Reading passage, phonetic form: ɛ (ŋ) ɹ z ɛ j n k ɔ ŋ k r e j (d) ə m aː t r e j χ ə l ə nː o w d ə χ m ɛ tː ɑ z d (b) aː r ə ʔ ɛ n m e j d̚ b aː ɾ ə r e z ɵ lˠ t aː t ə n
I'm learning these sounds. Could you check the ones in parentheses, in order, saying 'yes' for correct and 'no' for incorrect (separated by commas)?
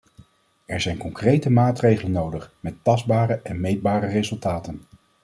no, no, yes